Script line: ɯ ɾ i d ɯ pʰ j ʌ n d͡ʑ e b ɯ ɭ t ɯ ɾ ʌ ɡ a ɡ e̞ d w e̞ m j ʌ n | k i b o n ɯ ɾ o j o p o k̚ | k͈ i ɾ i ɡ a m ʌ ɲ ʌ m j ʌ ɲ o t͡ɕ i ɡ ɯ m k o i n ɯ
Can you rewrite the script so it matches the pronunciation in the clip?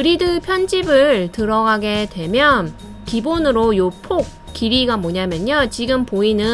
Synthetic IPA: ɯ ɾ i d ɯ pʰ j ʌ n d͡ʑ i b ɯ ɭ t ɯ ɾ ʌ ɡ a ɡ e̞ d w e̞ m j ʌ n | k i b o n ɯ ɾ o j o pʰ o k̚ | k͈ i ɾ i ɡ a m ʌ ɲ a m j ʌ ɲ o t͡ɕ i ɡ ɯ m p o i n ɯ